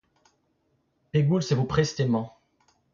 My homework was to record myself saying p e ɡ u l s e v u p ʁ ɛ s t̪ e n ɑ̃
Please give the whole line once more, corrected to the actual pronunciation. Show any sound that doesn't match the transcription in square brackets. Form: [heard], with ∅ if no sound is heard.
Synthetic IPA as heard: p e ɡ u l s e v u p [χ] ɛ s t̪ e [m] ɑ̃